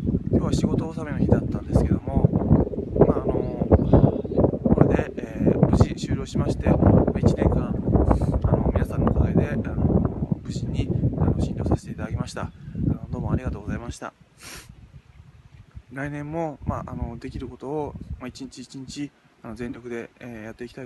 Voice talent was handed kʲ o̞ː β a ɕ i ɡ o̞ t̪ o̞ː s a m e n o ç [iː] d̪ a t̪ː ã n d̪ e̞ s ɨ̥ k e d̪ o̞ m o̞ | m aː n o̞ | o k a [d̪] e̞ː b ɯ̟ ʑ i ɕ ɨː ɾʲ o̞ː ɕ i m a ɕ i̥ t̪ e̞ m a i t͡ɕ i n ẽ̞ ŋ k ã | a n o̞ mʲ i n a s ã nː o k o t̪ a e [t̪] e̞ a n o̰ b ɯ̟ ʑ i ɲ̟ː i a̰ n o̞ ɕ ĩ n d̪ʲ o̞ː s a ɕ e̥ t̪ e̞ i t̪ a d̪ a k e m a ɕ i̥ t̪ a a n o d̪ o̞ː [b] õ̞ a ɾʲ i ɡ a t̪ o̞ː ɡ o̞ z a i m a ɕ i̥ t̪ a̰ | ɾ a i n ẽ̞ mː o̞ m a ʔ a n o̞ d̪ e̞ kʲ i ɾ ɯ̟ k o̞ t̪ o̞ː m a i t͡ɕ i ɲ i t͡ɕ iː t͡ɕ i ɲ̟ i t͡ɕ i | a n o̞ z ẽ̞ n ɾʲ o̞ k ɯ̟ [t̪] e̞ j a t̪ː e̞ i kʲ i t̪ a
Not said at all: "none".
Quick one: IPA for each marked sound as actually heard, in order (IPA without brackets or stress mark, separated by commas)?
i, d̪, d̪, m, d̪